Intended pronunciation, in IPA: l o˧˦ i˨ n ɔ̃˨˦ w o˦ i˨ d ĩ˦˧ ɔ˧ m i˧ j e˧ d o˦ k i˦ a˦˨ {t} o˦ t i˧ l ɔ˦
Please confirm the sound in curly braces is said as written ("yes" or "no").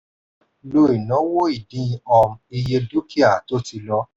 yes